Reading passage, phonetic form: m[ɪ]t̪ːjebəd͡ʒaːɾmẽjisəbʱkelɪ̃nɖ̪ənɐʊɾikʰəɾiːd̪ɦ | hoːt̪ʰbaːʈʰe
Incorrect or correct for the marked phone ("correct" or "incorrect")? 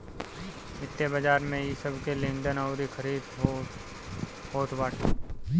correct